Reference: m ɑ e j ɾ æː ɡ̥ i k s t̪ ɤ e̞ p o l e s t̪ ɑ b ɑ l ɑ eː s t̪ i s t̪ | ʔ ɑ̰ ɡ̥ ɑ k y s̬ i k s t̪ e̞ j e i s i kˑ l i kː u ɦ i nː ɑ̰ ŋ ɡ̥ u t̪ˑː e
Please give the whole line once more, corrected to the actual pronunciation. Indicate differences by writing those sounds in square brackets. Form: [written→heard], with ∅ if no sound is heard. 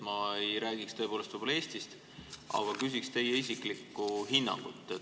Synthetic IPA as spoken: m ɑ e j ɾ æː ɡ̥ i k s t̪ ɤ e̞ p o l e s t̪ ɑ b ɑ l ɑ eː s t̪ i s t̪ | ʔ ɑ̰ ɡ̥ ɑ k y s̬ i k s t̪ e̞ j e i s i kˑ l i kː u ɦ i nː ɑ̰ ŋ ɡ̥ u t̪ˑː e